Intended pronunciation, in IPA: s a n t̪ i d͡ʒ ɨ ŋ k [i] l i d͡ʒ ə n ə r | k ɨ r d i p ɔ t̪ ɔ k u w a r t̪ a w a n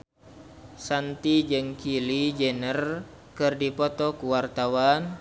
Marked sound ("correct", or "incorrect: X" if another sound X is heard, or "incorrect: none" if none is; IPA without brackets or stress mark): correct